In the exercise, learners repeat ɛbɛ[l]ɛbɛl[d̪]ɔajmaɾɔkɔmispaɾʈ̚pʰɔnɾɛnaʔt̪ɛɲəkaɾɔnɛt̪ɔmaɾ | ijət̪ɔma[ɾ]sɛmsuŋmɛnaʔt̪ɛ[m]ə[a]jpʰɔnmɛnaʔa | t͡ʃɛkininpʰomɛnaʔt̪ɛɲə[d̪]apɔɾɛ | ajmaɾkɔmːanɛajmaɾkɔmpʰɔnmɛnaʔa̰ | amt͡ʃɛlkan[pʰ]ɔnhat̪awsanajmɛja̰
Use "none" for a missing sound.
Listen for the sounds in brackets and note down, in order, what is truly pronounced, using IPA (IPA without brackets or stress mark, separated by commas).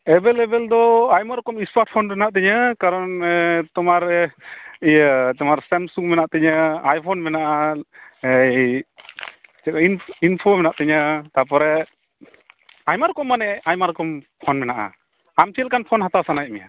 l, d̪, ɾ, ɲ, a, t̪, pʰ